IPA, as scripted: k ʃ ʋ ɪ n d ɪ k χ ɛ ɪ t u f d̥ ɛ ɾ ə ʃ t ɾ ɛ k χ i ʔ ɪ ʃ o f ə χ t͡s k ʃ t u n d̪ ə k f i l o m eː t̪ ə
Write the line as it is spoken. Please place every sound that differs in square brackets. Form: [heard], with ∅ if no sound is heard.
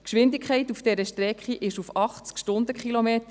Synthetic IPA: k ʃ ʋ ɪ n d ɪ k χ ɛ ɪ t u f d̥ ɛ ɾ ə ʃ t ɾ ɛ k χ i ʔ ɪ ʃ [u] f [ɑ] χ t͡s k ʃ t [ʊ] n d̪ ə k [χ] i l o m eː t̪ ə